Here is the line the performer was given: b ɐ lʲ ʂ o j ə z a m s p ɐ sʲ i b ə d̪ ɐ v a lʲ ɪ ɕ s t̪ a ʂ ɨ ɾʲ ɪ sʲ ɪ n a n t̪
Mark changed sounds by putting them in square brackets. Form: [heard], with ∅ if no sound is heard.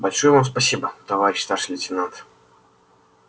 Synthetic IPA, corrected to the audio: b ɐ lʲ ʂ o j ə [v] a m s p ɐ sʲ i b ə [t̪] ɐ v a [ɾʲ] ɪ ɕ s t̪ a ʂ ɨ [lʲ] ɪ [tʲ] ɪ n a n t̪